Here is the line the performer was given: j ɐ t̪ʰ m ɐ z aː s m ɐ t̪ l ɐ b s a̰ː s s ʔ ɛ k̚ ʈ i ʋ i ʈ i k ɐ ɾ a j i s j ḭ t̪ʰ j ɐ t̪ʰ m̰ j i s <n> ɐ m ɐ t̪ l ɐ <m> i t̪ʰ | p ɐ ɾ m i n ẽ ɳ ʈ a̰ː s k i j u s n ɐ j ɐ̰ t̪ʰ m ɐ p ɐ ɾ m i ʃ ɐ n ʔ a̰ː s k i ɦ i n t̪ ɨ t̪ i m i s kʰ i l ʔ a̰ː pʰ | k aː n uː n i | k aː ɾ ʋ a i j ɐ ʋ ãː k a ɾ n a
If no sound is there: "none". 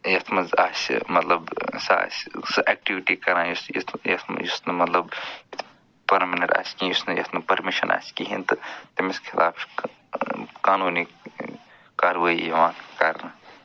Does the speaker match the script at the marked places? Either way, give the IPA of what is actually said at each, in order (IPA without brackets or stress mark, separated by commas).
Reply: n, b